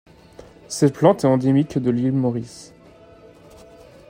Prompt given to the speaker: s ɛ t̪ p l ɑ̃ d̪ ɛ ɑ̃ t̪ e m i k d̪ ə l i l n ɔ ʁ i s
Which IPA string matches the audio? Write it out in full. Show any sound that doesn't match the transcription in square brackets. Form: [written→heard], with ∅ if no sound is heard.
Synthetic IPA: s ɛ t̪ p l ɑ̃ [d̪→t̪] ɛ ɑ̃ [t̪→d̪] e m i k d̪ ə l i l [n→m] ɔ ʁ i s